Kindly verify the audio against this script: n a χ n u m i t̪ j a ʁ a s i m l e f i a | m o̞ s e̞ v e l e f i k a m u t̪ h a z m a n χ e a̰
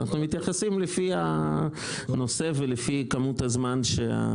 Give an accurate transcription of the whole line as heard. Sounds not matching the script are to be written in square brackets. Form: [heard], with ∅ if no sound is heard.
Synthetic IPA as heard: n a χ n u m i t̪ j a [χ] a s i m l e f i a | [n] o̞ s e̞ v e l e f i k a m u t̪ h a z m a n [ʃ] e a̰